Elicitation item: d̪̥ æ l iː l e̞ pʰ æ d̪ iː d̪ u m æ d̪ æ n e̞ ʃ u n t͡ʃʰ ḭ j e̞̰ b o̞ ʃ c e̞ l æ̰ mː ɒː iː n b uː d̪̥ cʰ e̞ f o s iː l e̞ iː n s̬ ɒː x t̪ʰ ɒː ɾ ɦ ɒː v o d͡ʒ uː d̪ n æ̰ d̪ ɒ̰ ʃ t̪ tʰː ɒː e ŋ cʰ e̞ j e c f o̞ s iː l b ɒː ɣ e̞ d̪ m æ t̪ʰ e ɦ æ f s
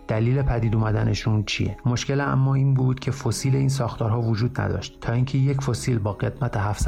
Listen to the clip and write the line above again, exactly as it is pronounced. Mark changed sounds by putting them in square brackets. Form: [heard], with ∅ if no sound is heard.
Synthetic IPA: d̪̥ æ l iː l e̞ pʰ æ d̪ iː d̪ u m æ d̪ æ n e̞ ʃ u n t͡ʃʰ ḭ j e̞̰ [m] o̞ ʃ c e̞ l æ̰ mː ɒː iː n b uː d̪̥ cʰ e̞ f o s iː l e̞ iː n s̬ ɒː x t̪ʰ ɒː ɾ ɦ ɒː v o d͡ʒ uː d̪ n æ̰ d̪ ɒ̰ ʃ t̪ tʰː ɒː [i] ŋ cʰ e̞ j e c f o̞ s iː l b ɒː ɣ e̞ d̪ m æ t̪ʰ e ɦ æ f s